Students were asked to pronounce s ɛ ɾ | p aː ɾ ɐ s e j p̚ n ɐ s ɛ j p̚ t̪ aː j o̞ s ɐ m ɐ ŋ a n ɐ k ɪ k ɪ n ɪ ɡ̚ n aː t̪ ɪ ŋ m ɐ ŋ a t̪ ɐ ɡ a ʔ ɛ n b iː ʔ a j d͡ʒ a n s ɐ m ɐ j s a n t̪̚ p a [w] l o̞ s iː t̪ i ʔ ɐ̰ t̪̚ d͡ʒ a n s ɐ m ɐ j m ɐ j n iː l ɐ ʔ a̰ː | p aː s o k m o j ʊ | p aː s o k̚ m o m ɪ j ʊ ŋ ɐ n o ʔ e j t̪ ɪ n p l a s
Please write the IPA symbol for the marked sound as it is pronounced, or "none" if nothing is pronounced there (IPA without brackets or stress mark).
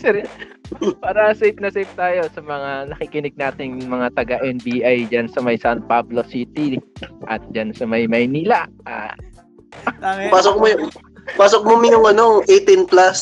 b